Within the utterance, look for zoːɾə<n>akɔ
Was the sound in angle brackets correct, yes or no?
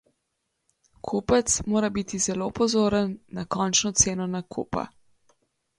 no